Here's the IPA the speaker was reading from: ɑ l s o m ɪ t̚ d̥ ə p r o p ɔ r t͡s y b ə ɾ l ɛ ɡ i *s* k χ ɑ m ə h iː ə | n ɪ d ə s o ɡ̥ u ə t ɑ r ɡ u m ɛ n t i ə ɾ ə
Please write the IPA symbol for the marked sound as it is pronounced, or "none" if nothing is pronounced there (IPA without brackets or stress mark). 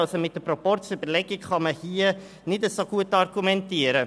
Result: none